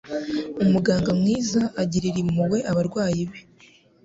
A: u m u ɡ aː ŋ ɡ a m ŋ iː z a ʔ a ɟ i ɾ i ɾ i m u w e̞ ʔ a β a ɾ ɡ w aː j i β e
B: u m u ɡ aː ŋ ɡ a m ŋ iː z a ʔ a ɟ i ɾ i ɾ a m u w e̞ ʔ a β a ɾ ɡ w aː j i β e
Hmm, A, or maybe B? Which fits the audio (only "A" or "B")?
A